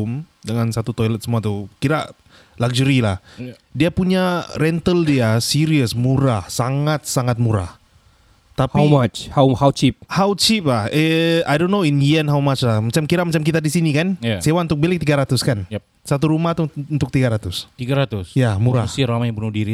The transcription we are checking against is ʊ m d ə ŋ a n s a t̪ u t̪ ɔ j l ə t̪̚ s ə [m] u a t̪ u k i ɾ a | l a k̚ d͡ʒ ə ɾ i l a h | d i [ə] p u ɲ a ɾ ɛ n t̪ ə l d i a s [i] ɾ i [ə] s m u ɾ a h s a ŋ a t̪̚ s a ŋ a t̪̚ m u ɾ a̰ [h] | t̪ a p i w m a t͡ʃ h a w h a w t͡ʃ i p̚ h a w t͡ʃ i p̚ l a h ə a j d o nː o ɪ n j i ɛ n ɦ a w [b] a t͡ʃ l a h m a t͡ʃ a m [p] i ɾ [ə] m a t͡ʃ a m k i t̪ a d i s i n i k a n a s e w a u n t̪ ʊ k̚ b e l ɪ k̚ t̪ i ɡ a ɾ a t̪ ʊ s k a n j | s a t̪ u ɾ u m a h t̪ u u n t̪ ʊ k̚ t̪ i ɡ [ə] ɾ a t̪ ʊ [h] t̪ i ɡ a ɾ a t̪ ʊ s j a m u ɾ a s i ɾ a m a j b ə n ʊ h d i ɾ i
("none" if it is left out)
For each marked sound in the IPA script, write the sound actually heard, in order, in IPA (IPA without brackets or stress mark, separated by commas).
m, a, i, ə, h, m, k, a, a, s